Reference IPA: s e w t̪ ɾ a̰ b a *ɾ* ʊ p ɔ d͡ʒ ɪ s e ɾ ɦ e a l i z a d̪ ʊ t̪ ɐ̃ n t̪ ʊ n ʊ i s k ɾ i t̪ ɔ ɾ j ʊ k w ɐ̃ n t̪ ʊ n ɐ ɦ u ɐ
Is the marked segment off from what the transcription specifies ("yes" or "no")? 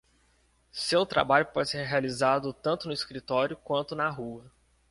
yes